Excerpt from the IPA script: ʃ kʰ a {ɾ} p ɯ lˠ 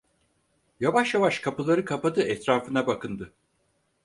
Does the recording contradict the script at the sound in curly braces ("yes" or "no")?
yes